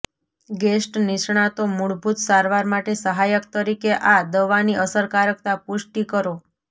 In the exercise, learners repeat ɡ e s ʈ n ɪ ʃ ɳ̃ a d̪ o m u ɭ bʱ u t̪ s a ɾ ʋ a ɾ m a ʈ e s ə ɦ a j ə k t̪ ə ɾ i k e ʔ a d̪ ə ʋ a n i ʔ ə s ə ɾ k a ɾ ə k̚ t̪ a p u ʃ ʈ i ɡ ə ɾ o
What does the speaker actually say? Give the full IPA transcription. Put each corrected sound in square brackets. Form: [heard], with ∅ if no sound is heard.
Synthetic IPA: ɡ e s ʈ n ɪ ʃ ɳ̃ a [t̪] o m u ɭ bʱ u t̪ s a ɾ ʋ a ɾ m a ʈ e s ə ɦ a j ə k t̪ ə ɾ i k e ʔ a d̪ ə ʋ a n i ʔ ə s ə ɾ k a ɾ ə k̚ t̪ a p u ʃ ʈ i [k] ə ɾ o

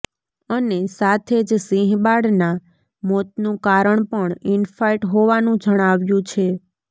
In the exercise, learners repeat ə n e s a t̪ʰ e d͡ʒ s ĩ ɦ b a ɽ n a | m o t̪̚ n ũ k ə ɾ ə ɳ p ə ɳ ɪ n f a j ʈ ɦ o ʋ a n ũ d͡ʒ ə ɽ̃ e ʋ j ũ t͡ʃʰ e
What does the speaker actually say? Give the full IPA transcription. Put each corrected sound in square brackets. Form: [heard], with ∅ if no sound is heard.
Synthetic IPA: ə n e s a t̪ʰ e d͡ʒ s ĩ ɦ b a ɽ n a | m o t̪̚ n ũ k [a] ɾ ə ɳ p ə ɳ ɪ n f a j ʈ ɦ o ʋ a n ũ d͡ʒ ə ɽ̃ [a] ʋ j ũ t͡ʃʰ e

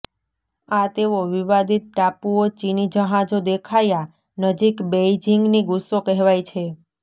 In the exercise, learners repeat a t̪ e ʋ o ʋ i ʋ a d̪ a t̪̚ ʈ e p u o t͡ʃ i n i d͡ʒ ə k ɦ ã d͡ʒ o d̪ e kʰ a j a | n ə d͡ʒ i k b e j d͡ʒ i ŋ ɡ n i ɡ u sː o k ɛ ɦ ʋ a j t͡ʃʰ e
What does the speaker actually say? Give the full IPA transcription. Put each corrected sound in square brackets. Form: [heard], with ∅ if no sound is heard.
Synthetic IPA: a t̪ e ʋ o ʋ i ʋ a d̪ [i] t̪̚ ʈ [a] p u o t͡ʃ i n i d͡ʒ ə [∅] ɦ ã d͡ʒ o d̪ e kʰ a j a | n ə d͡ʒ i k b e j d͡ʒ i ŋ ɡ n i ɡ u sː o k ɛ ɦ ʋ a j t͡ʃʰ e

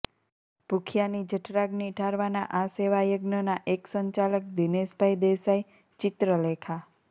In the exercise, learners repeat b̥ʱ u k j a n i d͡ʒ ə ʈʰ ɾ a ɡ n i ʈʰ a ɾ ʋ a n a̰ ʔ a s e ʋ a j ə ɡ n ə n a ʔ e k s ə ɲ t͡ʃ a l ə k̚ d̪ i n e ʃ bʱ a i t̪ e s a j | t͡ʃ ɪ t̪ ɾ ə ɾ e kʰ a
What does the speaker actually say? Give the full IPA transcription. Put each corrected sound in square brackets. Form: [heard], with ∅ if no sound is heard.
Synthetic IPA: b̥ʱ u [kʰ] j a n i d͡ʒ ə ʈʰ ɾ a ɡ n i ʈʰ a ɾ ʋ a n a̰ ʔ a s e ʋ a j ə ɡ n ə n a ʔ e k s ə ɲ t͡ʃ a l ə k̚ d̪ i n e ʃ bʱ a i [d̪] e s a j | t͡ʃ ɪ t̪ ɾ ə [l] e kʰ a

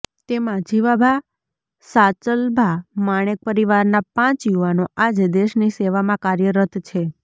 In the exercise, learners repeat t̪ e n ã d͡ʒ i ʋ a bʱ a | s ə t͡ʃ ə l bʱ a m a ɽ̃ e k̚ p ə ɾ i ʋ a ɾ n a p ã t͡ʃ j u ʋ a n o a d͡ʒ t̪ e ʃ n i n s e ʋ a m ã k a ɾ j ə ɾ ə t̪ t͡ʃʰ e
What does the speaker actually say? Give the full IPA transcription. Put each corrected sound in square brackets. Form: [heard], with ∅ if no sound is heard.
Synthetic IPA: t̪ e [m] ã d͡ʒ i ʋ a bʱ a | s [a] t͡ʃ ə l bʱ a m a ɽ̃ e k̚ p ə ɾ i ʋ a ɾ n a p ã t͡ʃ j u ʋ a n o a d͡ʒ [d̪] e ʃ n i [∅] s e ʋ a m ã k a ɾ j ə ɾ ə t̪ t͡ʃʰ e

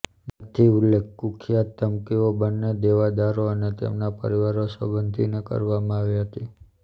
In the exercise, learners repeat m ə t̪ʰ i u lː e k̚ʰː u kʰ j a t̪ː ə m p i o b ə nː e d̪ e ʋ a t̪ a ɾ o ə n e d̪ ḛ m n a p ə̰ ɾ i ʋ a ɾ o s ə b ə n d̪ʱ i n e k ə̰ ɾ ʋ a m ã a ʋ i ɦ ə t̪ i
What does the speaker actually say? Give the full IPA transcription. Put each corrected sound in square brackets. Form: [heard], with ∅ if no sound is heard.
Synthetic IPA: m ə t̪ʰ i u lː e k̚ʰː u kʰ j a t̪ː ə m [k] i o b ə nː e d̪ e ʋ a [d̪] a ɾ o ə n e [t̪] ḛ m n a p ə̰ ɾ i ʋ a ɾ o s ə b ə n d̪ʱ i n e k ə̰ ɾ ʋ a m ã a ʋ i ɦ ə t̪ i

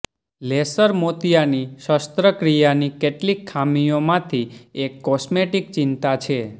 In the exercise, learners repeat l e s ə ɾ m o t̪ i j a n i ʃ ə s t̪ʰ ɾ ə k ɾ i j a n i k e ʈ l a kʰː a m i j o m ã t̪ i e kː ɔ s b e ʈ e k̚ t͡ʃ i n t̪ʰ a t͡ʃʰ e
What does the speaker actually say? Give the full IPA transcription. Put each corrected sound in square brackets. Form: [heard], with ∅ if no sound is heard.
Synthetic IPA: l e s ə ɾ m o t̪ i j a n i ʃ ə s [t̪] ɾ ə k ɾ i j a n i k e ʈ l [i] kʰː a m i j o m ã [t̪ʰ] i e kː ɔ s [m] e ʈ [i] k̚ t͡ʃ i n [t̪] a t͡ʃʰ e

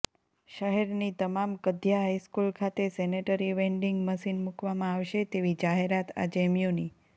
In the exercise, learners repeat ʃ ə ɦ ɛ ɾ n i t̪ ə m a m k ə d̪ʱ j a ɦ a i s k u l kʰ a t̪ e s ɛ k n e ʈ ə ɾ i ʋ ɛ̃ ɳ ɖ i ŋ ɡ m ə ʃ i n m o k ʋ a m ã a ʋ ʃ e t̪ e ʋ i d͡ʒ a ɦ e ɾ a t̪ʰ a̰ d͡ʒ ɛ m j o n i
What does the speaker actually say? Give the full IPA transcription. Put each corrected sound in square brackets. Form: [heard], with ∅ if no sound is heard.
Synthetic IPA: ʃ ə ɦ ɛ ɾ n i t̪ ə m a m k ə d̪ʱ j a ɦ a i s k u l kʰ a t̪ e s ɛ [∅] n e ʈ ə ɾ i ʋ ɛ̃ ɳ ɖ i ŋ ɡ m ə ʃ i n m [u] k ʋ a m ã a ʋ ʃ e t̪ e ʋ i d͡ʒ a ɦ e ɾ a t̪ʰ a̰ d͡ʒ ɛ m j o n i

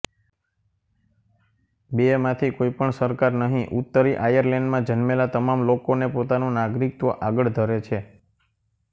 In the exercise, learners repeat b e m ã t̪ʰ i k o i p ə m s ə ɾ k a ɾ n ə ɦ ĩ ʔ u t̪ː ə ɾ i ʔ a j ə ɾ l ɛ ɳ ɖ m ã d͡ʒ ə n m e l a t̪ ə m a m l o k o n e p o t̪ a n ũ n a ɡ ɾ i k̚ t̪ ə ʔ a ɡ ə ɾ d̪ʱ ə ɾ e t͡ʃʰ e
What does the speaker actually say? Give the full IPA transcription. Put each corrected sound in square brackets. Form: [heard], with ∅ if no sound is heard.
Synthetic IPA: b e m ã t̪ʰ i k o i p ə [ɳ] s ə ɾ k a ɾ n ə ɦ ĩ ʔ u t̪ː ə ɾ i ʔ a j ə ɾ l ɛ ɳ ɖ m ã d͡ʒ ə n m e l a t̪ ə m a m l o k o n e p o t̪ a n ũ n a ɡ ɾ i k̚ t̪ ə ʔ a ɡ ə [ɭ] d̪ʱ ə ɾ e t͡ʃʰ e

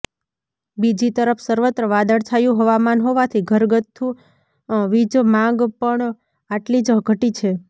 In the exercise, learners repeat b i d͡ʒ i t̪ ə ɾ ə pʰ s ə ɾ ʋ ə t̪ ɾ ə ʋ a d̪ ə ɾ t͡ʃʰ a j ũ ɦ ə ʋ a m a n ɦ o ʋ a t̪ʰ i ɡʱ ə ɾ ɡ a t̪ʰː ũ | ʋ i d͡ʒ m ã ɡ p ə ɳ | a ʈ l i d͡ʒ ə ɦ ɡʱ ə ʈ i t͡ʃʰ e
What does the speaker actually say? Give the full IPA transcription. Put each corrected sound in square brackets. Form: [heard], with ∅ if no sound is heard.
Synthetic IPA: b i d͡ʒ i t̪ ə ɾ ə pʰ s ə ɾ ʋ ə t̪ ɾ ə ʋ a d̪ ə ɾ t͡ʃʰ a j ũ ɦ ə ʋ a m a n ɦ o ʋ a t̪ʰ i ɡʱ ə ɾ ɡ [ə] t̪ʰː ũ | ʋ i d͡ʒ m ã ɡ p ə ɳ | a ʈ l i d͡ʒ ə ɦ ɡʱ ə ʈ i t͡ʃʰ e

